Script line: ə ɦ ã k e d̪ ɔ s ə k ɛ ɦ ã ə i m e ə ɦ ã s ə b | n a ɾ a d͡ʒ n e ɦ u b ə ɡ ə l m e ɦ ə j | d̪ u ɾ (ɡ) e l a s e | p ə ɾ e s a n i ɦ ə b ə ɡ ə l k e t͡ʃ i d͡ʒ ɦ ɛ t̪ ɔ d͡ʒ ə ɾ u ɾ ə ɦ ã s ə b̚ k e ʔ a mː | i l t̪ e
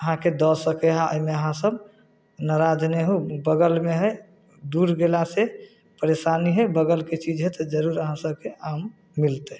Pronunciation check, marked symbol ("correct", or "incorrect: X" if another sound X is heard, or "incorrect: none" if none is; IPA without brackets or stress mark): correct